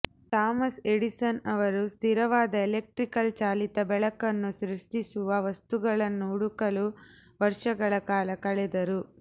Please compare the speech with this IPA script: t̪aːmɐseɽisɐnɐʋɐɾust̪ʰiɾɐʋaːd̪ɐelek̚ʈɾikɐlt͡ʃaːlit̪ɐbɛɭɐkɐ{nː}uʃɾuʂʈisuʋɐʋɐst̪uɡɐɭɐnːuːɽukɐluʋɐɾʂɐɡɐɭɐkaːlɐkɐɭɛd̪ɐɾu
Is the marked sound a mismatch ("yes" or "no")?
no